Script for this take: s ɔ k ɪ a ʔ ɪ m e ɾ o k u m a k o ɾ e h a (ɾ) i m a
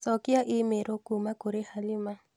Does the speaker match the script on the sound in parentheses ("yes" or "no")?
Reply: no